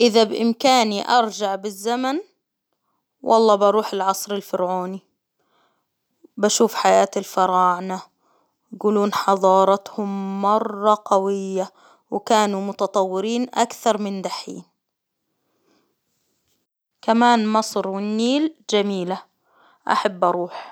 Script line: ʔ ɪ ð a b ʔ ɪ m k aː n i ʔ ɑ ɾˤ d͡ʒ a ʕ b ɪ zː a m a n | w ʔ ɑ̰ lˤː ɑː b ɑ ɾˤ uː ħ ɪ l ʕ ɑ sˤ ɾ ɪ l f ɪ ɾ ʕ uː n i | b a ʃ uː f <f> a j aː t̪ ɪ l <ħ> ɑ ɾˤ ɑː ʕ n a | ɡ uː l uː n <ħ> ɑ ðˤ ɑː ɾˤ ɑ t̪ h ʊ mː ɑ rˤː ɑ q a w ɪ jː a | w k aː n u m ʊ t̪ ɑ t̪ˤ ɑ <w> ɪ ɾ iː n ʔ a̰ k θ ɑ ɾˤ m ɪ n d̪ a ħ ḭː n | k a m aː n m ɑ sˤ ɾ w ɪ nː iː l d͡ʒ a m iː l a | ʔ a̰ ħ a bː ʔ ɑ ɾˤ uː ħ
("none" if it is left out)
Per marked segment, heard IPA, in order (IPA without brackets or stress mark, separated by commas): ħ, f, ħ, wː